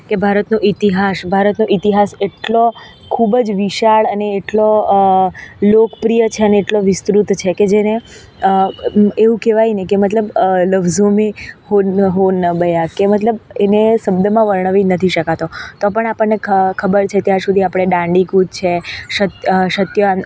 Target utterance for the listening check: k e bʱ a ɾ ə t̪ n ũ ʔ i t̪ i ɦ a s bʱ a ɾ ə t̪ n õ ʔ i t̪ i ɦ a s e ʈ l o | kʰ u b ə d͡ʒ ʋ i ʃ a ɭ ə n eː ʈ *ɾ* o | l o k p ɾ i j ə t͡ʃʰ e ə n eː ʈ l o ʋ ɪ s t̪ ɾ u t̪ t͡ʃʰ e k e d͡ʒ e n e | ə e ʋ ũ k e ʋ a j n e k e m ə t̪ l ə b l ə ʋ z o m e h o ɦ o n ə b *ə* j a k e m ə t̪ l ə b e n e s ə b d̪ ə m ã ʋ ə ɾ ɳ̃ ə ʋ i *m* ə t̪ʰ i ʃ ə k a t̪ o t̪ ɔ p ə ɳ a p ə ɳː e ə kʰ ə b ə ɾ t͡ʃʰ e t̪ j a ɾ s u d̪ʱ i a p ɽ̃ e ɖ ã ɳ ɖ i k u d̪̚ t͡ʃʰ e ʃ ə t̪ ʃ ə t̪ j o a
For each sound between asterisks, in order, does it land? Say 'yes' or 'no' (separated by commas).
no, yes, no